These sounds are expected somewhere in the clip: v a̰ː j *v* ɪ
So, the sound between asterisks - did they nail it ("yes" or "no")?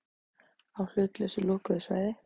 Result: no